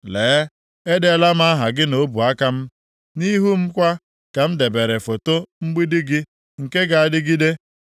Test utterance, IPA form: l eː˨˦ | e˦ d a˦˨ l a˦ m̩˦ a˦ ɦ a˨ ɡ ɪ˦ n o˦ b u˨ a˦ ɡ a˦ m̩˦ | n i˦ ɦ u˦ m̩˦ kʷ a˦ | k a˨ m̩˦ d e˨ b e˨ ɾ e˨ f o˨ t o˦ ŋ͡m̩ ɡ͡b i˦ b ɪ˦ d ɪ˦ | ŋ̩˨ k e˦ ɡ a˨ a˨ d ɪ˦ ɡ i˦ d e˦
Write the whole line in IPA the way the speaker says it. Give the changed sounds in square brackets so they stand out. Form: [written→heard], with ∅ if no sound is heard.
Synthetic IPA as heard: l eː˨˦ | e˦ d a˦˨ l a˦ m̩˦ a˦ ɦ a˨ ɡ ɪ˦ n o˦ b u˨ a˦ [ɡ→k] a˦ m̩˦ | n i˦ ɦ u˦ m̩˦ kʷ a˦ | k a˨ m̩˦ d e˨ b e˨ ɾ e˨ f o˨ t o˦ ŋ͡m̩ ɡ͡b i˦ [b→d] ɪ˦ [d→ɡ] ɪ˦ | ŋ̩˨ k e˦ ɡ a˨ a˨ d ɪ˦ ɡ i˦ d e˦